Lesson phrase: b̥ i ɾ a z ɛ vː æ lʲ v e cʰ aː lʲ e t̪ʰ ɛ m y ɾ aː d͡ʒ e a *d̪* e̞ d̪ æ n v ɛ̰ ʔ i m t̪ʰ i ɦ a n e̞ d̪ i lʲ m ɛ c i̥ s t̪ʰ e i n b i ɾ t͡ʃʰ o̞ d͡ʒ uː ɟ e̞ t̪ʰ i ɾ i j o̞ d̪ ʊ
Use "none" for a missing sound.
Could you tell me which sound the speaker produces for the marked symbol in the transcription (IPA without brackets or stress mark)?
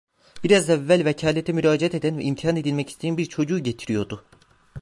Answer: t̪